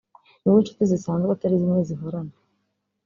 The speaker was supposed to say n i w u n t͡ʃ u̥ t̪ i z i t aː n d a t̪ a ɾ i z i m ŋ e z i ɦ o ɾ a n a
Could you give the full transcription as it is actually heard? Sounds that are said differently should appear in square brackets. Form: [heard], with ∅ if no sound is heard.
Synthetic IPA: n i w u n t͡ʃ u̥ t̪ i z i [s] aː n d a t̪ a ɾ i z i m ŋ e z i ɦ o ɾ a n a

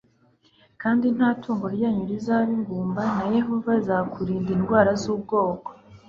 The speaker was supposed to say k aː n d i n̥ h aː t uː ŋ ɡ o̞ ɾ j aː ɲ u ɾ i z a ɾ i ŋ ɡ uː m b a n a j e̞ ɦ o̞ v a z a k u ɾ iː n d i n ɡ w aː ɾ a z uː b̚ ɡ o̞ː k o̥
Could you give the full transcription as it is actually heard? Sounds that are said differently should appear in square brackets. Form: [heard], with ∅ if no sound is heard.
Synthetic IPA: k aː n d i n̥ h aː t uː ŋ ɡ o̞ ɾ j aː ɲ u ɾ i z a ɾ i ŋ ɡ uː m b a n a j e̞ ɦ o̞ v a z a k u ɾ iː n d i n ɡ w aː ɾ a z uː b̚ ɡ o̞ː k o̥

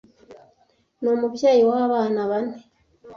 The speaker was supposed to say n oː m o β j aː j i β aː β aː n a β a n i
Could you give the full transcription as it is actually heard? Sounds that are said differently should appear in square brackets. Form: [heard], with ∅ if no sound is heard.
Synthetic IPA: n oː m [u] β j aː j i [w] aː β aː n a β a n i

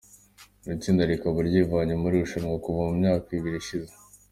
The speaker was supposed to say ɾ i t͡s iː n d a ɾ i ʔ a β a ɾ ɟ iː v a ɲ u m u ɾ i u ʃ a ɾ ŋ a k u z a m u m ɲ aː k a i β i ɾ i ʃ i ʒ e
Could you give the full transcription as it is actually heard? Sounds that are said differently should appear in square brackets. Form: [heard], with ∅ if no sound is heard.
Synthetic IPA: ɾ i t͡s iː n d a ɾ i [k] a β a ɾ ɟ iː v a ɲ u m u ɾ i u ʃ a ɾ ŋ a k u [v] a m u m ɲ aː k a i β i ɾ i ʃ i [z] e

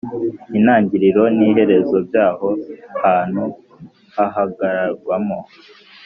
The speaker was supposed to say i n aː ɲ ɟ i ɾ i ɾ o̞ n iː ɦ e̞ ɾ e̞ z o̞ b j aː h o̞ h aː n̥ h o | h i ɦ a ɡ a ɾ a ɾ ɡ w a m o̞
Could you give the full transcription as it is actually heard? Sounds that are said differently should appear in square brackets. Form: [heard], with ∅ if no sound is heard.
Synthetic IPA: i n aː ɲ ɟ i ɾ i ɾ o̞ n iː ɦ e̞ ɾ e̞ z o̞ b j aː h o̞ h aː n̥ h [u] | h [a] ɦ a ɡ a ɾ a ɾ ɡ w a m o̞

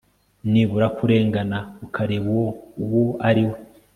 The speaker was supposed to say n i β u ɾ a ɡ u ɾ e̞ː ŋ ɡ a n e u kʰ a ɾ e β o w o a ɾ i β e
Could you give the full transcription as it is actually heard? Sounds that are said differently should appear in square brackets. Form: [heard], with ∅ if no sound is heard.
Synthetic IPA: n i β u ɾ a [k] u ɾ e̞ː ŋ ɡ a n [a] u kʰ a ɾ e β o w o a ɾ i [w] e

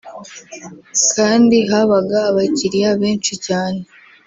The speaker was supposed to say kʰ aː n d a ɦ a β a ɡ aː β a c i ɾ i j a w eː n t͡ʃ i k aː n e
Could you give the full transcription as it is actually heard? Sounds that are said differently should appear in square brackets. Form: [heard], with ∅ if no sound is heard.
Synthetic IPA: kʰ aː n d [i] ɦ a β a ɡ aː β a c i ɾ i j a [β] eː n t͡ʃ i [c] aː n e

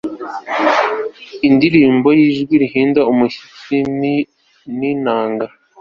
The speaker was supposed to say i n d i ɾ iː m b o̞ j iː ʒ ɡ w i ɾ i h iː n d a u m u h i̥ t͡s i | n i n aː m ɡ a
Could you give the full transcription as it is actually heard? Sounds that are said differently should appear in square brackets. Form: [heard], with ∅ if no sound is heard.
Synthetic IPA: i n d i ɾ iː m b o̞ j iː ʒ ɡ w i ɾ i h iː n d a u m u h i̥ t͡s i | n i n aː [ŋ] ɡ a

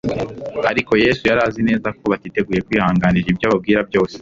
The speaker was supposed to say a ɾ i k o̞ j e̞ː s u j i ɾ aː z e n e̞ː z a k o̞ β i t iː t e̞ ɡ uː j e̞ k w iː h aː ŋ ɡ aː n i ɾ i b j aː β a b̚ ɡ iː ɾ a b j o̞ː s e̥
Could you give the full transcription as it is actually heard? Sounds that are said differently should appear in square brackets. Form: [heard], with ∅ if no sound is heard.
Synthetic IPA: a ɾ i k o̞ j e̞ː s u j [a] ɾ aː z [i] n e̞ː z a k o̞ β [a] t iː t e̞ ɡ uː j e̞ k w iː h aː ŋ ɡ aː n i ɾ i b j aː β a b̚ ɡ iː ɾ a b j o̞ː s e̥

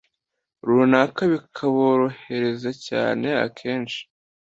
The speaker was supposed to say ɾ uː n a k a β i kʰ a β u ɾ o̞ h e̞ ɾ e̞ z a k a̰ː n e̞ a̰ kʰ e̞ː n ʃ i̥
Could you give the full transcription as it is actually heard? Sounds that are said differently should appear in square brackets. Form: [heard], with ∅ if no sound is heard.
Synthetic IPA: ɾ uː n a k a β i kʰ a β [o] ɾ o̞ h e̞ ɾ e̞ z a [c] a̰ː n e̞ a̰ kʰ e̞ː n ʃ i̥

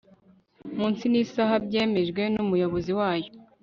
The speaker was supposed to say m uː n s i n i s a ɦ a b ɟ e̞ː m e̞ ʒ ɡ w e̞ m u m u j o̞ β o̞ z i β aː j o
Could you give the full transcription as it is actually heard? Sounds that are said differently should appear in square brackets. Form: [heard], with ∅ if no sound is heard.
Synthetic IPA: m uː n s i n i s a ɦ a b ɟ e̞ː m e̞ ʒ ɡ w e̞ [n] u m u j o̞ β o̞ z i [w] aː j o

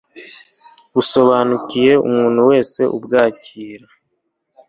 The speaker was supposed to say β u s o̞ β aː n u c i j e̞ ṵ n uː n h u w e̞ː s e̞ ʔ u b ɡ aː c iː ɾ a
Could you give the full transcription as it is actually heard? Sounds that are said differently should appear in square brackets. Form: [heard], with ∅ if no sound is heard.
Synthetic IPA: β u s o̞ β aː n u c i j e̞ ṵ [m] uː n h u w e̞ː s e̞ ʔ u b ɡ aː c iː ɾ a

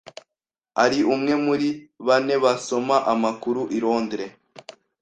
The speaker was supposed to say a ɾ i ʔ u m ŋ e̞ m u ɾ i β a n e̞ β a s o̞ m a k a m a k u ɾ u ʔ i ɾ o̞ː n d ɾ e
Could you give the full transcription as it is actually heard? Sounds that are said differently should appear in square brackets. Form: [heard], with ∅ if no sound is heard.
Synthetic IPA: a ɾ i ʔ u m ŋ e̞ m u ɾ i β a n e̞ β a s o̞ m a [ʔ] a m a k u ɾ u ʔ i ɾ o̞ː n d ɾ e

